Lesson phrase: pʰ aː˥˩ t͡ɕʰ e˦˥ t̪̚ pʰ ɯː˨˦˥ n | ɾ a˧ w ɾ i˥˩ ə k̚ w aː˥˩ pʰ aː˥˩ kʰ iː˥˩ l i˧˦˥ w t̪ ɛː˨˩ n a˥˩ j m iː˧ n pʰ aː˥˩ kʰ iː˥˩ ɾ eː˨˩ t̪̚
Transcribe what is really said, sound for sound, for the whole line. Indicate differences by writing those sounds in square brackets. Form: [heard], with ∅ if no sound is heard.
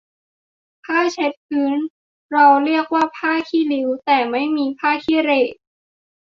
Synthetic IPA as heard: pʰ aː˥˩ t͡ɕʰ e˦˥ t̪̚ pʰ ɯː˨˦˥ n | ɾ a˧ w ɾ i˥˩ ə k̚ w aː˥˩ pʰ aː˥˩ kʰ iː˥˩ l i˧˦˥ w t̪ ɛː˨˩ [m] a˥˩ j m iː˧ [∅] pʰ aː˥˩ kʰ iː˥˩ ɾ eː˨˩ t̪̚